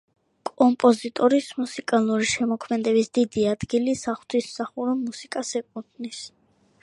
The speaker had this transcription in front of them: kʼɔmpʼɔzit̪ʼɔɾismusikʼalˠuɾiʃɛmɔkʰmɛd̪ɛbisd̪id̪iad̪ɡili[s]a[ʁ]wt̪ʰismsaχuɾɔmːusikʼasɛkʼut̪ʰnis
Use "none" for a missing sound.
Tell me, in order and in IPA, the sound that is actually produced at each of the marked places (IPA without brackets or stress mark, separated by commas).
s, χ